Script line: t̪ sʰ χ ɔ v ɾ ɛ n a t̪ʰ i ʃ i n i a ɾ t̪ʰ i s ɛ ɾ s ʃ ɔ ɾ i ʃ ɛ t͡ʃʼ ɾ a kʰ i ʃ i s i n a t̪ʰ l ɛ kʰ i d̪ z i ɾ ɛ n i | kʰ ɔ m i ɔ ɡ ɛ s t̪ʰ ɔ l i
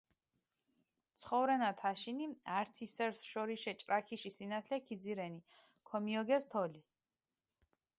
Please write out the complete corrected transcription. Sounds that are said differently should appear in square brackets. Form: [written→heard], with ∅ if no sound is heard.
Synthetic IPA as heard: t̪ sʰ χ ɔ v ɾ ɛ n a t̪ʰ [i→a] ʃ i n i a ɾ t̪ʰ i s ɛ ɾ s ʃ ɔ ɾ i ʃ ɛ t͡ʃʼ ɾ a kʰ i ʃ i s i n a t̪ʰ l ɛ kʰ i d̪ z i ɾ ɛ n i | kʰ ɔ m i ɔ ɡ ɛ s t̪ʰ ɔ l i